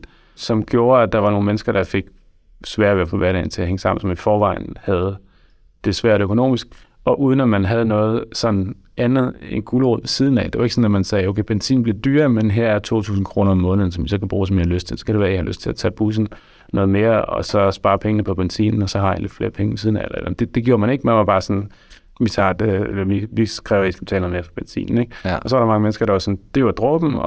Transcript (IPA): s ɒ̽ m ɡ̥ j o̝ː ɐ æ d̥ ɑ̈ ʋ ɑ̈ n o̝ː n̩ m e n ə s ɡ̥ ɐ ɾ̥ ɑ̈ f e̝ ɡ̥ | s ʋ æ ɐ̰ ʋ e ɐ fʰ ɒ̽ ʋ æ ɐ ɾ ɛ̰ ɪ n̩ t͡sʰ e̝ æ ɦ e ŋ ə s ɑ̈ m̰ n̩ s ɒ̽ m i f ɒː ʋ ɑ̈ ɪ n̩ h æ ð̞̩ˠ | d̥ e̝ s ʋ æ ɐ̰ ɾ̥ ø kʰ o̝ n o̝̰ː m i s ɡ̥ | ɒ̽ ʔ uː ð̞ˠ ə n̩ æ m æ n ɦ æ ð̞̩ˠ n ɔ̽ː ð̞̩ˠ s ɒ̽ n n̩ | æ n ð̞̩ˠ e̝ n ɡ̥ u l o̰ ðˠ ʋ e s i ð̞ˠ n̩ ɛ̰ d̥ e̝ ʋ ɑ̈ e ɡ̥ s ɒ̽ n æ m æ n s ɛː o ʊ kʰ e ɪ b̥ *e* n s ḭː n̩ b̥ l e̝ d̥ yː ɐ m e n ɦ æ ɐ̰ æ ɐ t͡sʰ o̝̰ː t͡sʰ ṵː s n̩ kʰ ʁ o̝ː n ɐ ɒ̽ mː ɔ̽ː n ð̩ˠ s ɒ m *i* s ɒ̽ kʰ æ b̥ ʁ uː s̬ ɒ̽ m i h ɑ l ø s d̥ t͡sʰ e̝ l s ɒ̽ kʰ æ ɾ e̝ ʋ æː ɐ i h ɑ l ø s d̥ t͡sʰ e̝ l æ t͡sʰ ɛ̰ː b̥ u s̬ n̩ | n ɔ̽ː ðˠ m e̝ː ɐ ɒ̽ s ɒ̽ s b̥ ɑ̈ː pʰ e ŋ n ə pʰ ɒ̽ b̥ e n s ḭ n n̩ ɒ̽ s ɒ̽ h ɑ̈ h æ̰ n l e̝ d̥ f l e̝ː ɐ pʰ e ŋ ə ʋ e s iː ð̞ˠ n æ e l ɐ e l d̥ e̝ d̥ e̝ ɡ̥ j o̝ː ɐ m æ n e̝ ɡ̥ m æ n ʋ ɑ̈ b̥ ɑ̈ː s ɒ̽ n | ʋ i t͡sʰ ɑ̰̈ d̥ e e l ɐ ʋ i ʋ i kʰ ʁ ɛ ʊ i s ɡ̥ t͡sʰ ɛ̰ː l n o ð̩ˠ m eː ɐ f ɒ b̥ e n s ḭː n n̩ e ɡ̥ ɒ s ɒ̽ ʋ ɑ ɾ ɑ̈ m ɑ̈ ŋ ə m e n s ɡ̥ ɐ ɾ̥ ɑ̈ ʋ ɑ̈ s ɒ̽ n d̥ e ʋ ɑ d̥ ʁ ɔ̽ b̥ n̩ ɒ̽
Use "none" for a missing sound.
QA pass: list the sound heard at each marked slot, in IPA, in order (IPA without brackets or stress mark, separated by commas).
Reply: e, i